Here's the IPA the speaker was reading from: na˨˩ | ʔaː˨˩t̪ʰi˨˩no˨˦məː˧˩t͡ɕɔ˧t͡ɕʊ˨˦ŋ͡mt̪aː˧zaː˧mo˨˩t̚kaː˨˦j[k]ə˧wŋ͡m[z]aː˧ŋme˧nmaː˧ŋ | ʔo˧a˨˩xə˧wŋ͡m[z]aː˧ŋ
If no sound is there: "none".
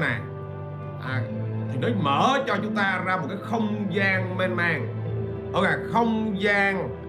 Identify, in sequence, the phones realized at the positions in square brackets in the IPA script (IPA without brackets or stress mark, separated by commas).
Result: x, z, z